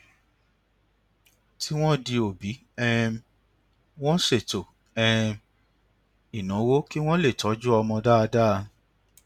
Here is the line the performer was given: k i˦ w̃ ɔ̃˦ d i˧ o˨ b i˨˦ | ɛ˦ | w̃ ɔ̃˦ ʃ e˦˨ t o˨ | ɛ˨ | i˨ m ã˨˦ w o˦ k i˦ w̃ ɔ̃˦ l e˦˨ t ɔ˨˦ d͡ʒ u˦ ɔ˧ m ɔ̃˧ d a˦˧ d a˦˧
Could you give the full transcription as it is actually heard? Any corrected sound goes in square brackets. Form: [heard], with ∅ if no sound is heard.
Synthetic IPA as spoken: [t] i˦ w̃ ɔ̃˦ d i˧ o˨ b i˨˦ | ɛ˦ | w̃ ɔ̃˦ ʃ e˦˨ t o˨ | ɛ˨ | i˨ [n] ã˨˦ w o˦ k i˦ w̃ ɔ̃˦ l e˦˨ t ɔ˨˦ d͡ʒ u˦ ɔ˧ m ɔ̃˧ d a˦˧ d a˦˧